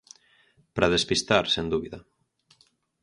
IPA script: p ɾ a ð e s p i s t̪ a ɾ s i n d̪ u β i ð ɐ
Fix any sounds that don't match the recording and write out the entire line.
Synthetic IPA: p ɾ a ð e s p i s t̪ a ɾ s e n d̪ u β i ð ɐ